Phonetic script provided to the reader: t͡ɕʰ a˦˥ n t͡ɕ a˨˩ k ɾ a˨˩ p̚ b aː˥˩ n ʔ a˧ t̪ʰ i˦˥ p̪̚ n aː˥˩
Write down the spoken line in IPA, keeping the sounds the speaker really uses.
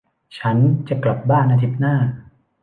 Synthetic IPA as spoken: t͡ɕʰ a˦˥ n t͡ɕ a˨˩ k l a˨˩ p̚ b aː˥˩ n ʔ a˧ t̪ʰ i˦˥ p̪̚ n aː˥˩